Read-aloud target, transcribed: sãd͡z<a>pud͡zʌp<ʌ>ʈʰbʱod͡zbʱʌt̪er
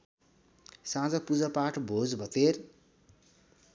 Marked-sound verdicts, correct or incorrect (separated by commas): incorrect, incorrect